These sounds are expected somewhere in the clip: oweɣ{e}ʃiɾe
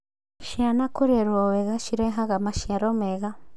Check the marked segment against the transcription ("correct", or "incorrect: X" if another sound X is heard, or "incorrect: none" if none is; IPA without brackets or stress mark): incorrect: a